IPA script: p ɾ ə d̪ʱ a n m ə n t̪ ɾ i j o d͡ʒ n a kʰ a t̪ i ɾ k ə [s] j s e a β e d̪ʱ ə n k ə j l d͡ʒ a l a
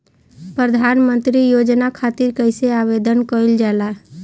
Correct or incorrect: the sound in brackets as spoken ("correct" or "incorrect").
incorrect